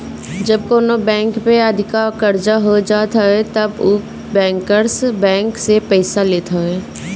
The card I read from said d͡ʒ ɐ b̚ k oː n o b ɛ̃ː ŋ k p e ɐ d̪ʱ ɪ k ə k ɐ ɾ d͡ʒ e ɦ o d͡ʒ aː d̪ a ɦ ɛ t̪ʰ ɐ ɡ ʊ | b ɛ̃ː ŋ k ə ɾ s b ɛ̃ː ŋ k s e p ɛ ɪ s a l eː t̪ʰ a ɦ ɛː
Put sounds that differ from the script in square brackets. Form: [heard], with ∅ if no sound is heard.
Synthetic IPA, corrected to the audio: d͡ʒ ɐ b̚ k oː n o b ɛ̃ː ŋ k p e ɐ d̪ʱ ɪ k [a] k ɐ ɾ d͡ʒ [a] ɦ o d͡ʒ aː [t̪] a ɦ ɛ [t̪] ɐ [b] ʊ | b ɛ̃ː ŋ k ə ɾ s b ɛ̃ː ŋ k s e p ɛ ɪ s a l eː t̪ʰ a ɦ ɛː